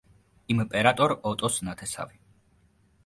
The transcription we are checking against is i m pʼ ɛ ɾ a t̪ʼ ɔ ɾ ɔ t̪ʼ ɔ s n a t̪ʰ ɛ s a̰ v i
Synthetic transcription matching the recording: i m pʼ ɛ ɾ a t̪ʼ ɔ ɾ ɔ t̪ʼ ɔ s n a t̪ʰ ɛ s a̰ v i